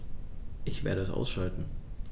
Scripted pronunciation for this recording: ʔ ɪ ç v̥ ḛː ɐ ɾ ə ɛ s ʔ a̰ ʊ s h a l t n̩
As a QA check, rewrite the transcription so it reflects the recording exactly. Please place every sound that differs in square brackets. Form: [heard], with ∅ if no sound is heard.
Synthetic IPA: ʔ ɪ ç v̥ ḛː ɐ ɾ ə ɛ s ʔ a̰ ʊ s [ʃ] a l t n̩